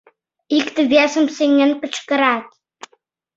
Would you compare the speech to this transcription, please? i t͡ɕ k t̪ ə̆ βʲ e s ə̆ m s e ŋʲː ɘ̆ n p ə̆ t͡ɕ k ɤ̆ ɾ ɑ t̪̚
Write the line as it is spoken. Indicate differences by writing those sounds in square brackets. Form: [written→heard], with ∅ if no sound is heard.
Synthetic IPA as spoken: i [t͡ɕ→∅] k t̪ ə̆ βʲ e s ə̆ m s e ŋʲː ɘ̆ n p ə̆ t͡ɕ k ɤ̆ ɾ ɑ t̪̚